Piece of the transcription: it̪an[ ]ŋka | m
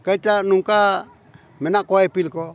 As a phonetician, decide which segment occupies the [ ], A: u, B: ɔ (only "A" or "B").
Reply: A